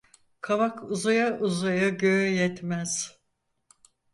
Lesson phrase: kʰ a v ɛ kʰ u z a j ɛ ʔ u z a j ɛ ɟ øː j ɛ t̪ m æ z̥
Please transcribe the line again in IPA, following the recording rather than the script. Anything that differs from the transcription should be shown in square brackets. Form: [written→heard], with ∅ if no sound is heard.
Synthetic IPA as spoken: kʰ a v [ɛ→a] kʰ u z a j [ɛ→a] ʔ u z a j [ɛ→a] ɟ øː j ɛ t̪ m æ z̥